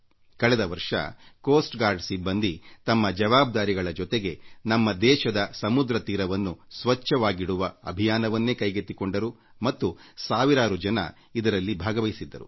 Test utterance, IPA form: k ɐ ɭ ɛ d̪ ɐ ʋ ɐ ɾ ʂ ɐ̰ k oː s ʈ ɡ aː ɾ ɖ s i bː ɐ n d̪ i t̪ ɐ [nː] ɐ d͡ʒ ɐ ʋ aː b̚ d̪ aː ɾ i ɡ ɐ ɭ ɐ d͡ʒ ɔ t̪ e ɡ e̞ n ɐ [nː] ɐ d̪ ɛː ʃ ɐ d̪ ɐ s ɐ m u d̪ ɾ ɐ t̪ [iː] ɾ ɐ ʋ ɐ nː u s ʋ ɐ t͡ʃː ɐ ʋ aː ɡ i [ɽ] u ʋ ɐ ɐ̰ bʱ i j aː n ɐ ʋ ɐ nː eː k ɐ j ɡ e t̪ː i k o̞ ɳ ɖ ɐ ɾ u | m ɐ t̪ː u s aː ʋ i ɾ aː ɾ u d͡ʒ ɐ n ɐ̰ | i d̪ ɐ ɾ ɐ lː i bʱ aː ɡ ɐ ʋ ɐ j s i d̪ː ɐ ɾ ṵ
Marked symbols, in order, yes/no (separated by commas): no, no, yes, yes